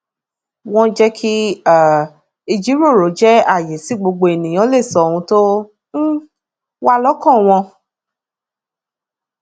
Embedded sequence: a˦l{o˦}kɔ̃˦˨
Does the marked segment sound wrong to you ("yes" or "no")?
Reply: yes